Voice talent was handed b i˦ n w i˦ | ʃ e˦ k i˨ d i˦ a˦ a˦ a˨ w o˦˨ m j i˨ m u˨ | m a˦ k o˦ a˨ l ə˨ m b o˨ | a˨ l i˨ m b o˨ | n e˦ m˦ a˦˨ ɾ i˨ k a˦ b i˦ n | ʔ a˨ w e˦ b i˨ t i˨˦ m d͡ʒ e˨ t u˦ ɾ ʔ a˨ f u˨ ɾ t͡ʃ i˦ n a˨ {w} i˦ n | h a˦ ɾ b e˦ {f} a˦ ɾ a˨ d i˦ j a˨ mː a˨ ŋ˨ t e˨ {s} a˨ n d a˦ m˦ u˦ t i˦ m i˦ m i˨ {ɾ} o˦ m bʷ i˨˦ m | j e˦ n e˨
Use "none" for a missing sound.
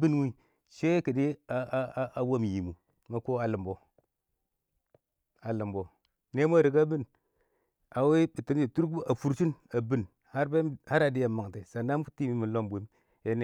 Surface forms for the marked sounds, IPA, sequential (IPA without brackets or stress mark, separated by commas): b, h, s, l